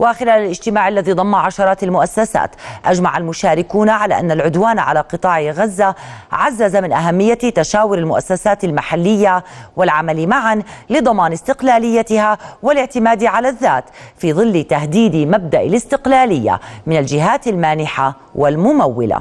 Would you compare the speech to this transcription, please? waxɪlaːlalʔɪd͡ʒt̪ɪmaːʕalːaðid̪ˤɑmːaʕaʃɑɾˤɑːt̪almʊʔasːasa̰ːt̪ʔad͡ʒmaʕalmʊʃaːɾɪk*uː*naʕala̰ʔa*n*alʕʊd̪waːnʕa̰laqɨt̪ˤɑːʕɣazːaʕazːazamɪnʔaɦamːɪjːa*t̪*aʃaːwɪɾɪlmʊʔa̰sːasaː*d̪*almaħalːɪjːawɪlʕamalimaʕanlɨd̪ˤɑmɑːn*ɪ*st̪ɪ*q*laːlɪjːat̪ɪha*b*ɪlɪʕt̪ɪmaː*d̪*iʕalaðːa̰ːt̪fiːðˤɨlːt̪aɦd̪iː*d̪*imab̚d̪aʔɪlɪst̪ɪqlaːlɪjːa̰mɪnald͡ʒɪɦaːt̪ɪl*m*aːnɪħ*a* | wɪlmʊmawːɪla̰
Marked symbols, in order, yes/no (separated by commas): yes, no, yes, no, yes, yes, no, yes, yes, yes, yes